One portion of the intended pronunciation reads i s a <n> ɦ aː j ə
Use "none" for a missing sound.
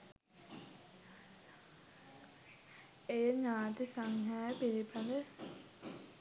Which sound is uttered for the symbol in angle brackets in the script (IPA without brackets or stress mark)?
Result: ŋ